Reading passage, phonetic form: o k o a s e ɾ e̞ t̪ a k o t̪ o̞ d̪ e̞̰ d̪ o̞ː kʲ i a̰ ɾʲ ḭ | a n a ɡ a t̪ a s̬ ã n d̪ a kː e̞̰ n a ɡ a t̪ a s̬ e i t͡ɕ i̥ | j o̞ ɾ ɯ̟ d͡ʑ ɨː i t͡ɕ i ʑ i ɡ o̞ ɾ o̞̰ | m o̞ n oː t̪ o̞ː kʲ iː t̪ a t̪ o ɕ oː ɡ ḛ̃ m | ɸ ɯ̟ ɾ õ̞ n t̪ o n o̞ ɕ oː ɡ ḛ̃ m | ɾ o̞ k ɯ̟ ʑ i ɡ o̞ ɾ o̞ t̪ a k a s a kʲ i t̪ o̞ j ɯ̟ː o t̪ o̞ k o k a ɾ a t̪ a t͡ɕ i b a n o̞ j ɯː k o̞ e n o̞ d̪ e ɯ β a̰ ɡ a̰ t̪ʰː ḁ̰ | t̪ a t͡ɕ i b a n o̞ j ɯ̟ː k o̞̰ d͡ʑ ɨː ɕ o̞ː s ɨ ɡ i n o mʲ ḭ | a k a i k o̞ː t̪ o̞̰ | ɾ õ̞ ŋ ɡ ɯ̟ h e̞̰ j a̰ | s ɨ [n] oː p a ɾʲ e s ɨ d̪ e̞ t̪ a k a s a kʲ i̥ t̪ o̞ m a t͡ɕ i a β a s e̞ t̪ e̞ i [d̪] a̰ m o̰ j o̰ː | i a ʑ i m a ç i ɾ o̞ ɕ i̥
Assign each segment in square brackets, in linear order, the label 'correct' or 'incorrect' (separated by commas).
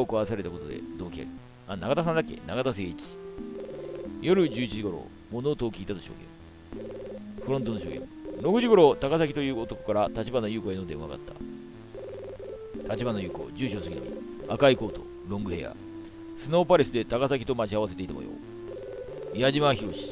correct, incorrect